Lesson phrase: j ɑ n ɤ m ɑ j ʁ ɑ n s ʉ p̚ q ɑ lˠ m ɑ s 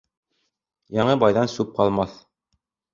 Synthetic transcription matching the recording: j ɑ ɴ ɤ b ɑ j ð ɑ n s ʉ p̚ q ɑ lˠ m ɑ θ